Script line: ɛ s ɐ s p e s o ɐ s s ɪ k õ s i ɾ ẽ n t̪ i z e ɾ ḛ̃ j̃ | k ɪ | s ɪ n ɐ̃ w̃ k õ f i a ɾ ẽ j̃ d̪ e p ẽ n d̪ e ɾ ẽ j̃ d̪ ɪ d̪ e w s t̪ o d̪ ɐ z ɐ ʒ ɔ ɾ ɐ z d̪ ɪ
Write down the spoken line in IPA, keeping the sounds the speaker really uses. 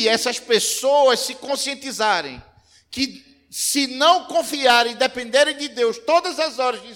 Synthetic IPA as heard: ɛ s ɐ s p e s o ɐ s s ɪ k õ s i ẽ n t̪ i z a ɾ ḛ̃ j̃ | k ɪ | s ɪ n ɐ̃ w̃ k õ f i a ɾ ẽ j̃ d̪ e p ẽ n d̪ e ɾ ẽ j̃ d̪ ɪ d̪ e w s t̪ o d̪ ɐ z ɐ z ɔ ɾ ɐ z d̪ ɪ